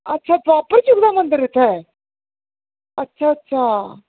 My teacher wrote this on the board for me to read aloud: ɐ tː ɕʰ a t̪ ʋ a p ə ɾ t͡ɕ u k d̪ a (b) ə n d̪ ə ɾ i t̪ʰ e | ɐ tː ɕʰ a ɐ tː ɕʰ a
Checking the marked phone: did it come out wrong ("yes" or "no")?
yes